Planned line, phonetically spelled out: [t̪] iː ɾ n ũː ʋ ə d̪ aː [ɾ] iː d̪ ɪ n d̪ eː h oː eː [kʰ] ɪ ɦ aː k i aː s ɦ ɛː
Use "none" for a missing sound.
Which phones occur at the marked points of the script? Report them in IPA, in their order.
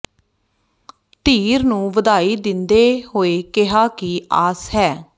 t̪, none, k

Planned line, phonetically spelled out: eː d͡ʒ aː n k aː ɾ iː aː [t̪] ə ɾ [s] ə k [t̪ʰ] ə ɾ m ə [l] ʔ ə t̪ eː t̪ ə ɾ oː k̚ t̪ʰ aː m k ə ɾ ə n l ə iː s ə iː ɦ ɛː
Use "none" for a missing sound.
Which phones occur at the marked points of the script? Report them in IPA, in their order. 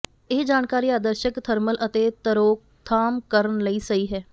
d̪, ʃ, t̪ʰ, l

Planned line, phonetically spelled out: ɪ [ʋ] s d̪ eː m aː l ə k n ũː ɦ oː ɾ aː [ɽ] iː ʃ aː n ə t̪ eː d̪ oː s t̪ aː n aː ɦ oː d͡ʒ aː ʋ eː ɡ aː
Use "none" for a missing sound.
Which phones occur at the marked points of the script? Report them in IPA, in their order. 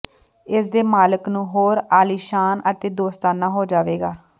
none, l

